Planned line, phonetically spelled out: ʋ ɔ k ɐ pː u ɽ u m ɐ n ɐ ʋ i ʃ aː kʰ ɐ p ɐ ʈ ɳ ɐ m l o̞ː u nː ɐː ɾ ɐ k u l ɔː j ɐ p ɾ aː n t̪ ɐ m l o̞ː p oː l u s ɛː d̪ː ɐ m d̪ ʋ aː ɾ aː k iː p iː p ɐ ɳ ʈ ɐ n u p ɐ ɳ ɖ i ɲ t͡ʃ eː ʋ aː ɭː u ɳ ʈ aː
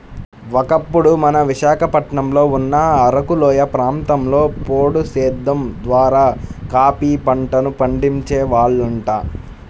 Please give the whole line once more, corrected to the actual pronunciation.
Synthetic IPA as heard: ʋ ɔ k ɐ pː u ɽ u m ɐ n ɐ ʋ i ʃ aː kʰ ɐ p ɐ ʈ ɳ ɐ m l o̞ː u nː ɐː ɾ ɐ k u l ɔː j ɐ p ɾ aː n t̪ ɐ m l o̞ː p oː ɽ u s ɛː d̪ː ɐ m d̪ ʋ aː ɾ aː k aː p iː p ɐ ɳ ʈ ɐ n u p ɐ ɳ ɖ i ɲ t͡ʃ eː ʋ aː ɭː u ɳ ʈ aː

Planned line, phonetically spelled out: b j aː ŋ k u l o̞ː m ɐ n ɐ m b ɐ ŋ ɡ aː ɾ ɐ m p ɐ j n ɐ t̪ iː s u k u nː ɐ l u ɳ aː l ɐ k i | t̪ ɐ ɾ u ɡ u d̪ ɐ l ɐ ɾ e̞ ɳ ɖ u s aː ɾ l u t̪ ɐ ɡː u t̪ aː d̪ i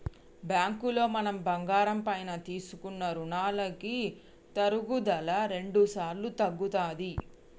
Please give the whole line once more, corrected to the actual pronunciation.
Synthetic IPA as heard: b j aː ŋ k u l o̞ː m ɐ n ɐ m b ɐ ŋ ɡ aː ɾ ɐ m p ɐ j n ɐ t̪ iː s u k u nː ɐ ɾ u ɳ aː l ɐ k i | t̪ ɐ ɾ u ɡ u d̪ ɐ l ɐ ɾ e̞ ɳ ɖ u s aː ɾ l u t̪ ɐ ɡː u t̪ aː d̪ i

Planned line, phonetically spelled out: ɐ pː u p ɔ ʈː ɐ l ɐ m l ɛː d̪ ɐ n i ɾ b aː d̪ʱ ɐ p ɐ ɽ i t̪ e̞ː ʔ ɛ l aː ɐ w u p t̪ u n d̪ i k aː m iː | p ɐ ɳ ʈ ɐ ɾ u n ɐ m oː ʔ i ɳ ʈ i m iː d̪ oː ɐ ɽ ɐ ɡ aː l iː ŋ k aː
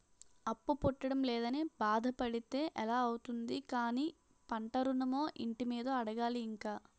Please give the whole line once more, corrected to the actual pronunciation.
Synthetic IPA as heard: ɐ pː u p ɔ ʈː ɐ ɽ ɐ m l ɛː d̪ ɐ n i b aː d̪ʱ ɐ p ɐ ɽ i t̪ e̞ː ʔ ɛ l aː ɐ w u t̪ u n d̪ i k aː n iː | p ɐ ɳ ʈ ɐ ɾ u n ɐ m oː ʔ i ɳ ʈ i m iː d̪ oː ɐ ɽ ɐ ɡ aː l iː ŋ k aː

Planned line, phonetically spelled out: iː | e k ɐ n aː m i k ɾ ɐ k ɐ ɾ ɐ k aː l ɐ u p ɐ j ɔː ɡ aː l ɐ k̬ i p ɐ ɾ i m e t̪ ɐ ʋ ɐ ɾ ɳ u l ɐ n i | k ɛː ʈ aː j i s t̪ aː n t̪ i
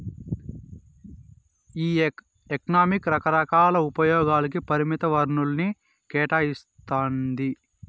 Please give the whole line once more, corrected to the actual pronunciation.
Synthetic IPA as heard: iː | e k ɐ n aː m i k ɾ ɐ k ɐ ɾ ɐ k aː l ɐ u p ɐ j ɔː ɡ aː l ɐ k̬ i p ɐ ɾ i m i t̪ ɐ ʋ ɐ ɾ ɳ u l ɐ n i | k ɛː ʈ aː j i s t̪ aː n d̪ i

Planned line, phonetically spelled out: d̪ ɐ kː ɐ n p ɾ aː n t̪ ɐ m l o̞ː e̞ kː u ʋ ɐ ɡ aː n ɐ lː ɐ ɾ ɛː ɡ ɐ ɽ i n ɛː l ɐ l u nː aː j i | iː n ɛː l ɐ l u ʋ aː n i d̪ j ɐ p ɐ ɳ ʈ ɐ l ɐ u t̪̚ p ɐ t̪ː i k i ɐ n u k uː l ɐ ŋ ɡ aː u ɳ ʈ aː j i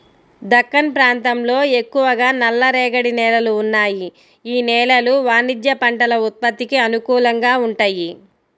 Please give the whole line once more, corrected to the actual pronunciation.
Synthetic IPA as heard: d̪ ɐ kː ɐ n p ɾ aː n t̪ ɐ m l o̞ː e̞ kː u ʋ ɐ ɡ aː n ɐ lː ɐ ɾ ɛː ɡ ɐ ɽ i n ɛː l ɐ l uː nː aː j i | iː n ɛː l ɐ l u ʋ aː n i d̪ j ɐ p ɐ ɳ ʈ ɐ l ɐ u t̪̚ p ɐ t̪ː i k i ɐ n u k uː l ɐ ŋ ɡ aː u ɳ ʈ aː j i

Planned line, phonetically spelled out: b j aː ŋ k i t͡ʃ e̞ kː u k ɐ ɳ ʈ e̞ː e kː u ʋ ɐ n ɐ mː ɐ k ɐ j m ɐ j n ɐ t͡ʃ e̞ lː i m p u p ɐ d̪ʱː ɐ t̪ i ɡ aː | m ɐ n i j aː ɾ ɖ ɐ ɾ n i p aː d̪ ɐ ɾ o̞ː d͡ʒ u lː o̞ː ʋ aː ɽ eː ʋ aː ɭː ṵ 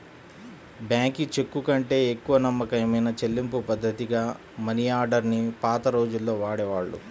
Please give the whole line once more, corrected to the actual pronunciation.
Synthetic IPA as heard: b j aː ŋ k i t͡ʃ e̞ kː u k ɐ ɳ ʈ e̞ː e kː u ʋ ɐ n ɐ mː ɐ k ɐ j m ɐ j n ɐ t͡ʃ e̞ lː i m p u p ɐ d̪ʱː ɐ t̪ i ɡ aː | m ɐ n i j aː ɾ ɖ ɐ ɾ n i p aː t̪ ɐ ɾ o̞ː d͡ʒ u lː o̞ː ʋ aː ɽ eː ʋ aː ɭː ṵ

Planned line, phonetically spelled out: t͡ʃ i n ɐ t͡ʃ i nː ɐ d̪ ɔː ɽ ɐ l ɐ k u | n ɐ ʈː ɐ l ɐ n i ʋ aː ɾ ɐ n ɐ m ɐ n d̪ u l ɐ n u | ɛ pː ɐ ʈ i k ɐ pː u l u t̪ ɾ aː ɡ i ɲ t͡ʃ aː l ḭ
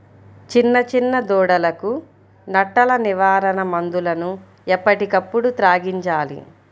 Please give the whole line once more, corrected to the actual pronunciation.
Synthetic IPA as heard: t͡ʃ i nː ɐ t͡ʃ i nː ɐ d̪ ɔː ɽ ɐ l ɐ k u | n ɐ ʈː ɐ l ɐ n i ʋ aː ɾ ɐ n ɐ m ɐ n d̪ u l ɐ n u | ɛ pː ɐ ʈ i k ɐ pː u ɽ u t̪ ɾ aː ɡ i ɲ t͡ʃ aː l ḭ

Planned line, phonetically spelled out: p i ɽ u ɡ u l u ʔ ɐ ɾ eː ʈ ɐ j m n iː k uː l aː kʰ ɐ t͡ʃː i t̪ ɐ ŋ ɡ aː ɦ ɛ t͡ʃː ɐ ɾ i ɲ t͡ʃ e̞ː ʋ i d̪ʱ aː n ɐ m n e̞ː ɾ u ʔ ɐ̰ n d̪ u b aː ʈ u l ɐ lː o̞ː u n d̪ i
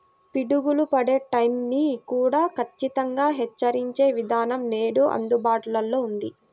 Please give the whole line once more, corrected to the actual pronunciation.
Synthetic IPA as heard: p i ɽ u ɡ u l u p ɐ ɽ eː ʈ ɐ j m n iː k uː ɽ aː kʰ ɐ t͡ʃː i t̪ ɐ ŋ ɡ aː ɦ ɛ t͡ʃː ɐ ɾ i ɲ t͡ʃ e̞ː ʋ i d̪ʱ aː n ɐ m n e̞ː ɽ u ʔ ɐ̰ n d̪ u b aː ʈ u l ɐ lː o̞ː u n d̪ i

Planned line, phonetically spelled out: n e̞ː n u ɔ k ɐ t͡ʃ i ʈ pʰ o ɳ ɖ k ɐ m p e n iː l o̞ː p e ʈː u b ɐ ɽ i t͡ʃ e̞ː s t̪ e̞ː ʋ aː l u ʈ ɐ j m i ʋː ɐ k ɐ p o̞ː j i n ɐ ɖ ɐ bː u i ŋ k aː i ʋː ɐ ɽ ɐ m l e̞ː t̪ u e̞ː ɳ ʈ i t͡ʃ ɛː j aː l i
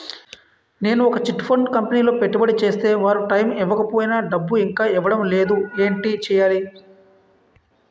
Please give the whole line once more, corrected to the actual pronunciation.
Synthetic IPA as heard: n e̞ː n u ɔ k ɐ t͡ʃ i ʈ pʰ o ɳ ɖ k ɐ m p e n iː l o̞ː p e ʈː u b ɐ ɽ i t͡ʃ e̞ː s t̪ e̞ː ʋ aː ɾ u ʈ ɐ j m i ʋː ɐ k ɐ p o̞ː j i n ɐ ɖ ɐ bː u i ŋ k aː i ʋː ɐ ɽ ɐ m l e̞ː d̪ u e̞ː ɳ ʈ i t͡ʃ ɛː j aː l i

